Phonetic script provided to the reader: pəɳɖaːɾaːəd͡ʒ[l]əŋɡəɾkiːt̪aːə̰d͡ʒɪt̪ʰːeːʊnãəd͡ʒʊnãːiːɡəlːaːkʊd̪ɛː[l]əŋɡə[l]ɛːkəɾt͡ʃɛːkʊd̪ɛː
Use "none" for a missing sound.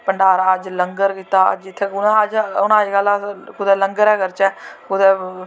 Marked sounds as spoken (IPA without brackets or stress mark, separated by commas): l, l, ɾ